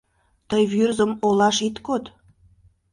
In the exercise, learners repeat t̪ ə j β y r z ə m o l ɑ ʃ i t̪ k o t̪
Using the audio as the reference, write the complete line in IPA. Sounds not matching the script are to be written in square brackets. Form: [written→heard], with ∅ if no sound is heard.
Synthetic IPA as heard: t̪ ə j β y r z ə m o l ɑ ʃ i t̪ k o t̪